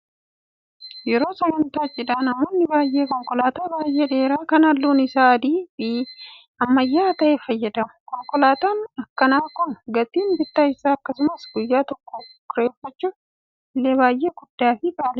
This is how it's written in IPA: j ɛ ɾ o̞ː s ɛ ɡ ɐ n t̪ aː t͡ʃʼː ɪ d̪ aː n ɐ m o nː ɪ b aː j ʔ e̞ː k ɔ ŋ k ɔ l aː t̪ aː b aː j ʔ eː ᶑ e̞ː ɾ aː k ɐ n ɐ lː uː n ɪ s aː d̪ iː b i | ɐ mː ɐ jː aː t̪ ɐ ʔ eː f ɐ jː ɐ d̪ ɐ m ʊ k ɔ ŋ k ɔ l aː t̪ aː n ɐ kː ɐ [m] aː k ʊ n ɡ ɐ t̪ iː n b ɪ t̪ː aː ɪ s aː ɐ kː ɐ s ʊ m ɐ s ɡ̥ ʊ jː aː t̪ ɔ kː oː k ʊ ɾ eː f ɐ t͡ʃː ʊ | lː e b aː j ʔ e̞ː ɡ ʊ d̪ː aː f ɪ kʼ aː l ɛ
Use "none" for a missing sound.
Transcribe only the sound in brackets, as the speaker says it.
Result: n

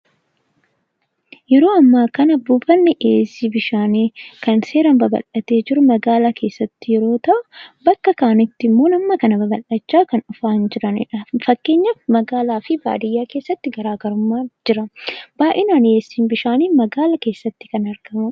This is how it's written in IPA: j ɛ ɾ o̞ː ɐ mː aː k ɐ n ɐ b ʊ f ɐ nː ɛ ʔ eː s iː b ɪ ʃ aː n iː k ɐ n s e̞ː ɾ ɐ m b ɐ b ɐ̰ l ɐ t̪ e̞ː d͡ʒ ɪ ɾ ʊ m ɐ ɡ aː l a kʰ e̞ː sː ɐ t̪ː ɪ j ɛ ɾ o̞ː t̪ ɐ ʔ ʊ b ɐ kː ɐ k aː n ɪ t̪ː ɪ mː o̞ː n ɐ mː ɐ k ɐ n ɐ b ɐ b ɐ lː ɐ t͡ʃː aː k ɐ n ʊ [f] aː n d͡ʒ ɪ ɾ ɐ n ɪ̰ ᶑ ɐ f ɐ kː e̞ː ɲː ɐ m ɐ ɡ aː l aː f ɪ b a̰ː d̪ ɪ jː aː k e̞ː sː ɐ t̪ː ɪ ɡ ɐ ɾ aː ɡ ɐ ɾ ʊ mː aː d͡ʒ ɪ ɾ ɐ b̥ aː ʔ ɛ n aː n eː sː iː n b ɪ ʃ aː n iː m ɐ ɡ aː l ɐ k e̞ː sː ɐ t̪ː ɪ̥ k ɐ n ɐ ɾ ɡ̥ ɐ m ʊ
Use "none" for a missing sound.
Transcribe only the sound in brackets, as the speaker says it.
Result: f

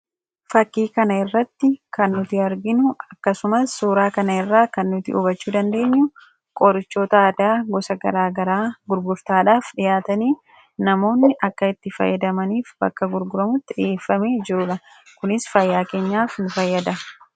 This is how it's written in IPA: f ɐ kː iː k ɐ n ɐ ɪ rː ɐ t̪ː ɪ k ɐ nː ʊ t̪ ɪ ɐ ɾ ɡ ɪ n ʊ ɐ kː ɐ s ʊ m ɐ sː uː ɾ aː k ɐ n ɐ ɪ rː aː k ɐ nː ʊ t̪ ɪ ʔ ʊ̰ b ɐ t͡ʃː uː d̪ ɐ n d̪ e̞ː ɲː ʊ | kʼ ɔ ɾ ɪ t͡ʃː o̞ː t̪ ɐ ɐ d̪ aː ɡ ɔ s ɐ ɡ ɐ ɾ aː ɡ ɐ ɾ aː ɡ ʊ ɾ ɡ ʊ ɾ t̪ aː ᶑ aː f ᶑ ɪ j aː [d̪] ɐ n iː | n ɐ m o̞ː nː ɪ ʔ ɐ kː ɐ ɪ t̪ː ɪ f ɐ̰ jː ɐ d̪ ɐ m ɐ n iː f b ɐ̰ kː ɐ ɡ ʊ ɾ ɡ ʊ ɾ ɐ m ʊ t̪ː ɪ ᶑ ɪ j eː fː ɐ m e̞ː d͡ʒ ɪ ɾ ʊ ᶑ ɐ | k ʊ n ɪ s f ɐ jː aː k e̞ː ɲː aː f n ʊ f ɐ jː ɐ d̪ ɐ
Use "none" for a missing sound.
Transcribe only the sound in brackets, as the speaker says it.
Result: t̪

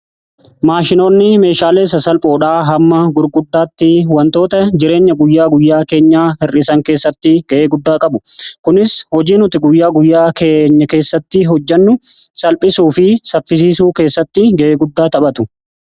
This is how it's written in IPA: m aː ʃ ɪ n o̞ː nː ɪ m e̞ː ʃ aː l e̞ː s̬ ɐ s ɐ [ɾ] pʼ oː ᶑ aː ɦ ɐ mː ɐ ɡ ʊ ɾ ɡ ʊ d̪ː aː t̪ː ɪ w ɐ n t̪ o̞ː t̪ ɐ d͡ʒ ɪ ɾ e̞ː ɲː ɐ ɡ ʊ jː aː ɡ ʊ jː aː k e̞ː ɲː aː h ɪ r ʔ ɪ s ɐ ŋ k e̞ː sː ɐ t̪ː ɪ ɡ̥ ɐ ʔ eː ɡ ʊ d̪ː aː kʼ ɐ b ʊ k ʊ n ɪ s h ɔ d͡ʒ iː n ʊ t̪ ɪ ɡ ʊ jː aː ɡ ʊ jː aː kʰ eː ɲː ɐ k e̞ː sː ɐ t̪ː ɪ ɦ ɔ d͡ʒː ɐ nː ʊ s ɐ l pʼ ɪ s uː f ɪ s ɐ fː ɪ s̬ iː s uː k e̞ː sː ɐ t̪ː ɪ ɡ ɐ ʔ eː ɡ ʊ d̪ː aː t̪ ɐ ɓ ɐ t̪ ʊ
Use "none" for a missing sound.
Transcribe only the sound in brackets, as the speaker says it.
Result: l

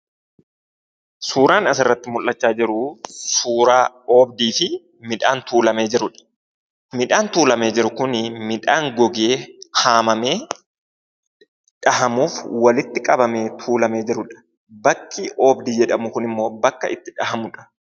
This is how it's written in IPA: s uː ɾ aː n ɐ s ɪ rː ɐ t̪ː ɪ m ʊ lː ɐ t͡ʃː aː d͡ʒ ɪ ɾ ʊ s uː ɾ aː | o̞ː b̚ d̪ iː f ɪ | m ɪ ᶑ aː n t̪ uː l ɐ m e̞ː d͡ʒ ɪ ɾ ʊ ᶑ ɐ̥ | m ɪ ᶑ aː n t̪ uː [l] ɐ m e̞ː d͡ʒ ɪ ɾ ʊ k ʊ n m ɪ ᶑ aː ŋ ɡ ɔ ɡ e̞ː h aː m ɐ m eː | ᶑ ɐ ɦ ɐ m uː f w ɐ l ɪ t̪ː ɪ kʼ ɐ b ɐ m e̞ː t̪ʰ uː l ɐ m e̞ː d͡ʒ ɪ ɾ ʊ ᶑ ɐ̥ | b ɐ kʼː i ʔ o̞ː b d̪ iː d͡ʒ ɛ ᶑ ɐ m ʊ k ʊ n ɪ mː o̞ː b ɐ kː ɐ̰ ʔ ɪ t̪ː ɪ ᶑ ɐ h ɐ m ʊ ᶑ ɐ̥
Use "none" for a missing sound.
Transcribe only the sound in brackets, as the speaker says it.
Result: l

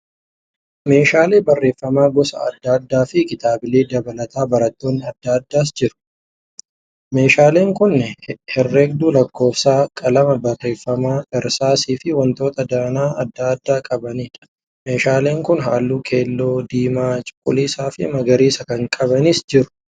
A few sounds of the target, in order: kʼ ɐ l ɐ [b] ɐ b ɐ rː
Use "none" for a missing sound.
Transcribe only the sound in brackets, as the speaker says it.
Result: m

